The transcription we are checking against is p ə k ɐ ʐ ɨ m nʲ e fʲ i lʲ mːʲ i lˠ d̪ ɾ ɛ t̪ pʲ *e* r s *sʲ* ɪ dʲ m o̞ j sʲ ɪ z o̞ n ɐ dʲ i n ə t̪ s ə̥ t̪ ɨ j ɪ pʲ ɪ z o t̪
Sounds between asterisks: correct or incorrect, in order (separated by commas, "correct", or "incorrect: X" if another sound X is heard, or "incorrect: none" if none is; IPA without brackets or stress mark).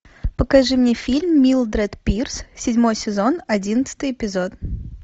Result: incorrect: i, correct